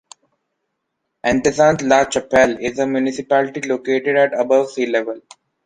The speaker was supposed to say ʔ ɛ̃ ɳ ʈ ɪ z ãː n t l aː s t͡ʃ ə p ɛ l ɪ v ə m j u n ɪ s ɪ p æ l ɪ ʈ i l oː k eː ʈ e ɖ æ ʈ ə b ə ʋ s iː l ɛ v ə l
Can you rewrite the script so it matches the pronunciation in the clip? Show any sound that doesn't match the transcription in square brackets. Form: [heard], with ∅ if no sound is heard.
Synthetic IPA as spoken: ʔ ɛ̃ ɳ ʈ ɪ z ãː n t l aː [∅] t͡ʃ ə p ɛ l ɪ [z] ə m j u n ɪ s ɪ p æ l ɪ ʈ i l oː k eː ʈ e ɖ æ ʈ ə b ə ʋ s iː l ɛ [ʋ] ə l